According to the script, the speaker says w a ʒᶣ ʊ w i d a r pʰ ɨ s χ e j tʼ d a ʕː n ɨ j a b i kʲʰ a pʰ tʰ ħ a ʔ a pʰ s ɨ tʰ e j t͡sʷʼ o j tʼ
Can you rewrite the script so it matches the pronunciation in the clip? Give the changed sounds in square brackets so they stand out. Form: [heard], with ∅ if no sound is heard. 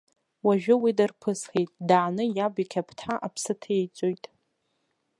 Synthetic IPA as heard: w a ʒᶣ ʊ w i d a r pʰ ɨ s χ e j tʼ d a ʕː n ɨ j a b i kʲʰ a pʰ tʰ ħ a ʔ a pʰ s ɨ tʰ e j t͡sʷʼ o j tʼ